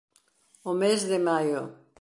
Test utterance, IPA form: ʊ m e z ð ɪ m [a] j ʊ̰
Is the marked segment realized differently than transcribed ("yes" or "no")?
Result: no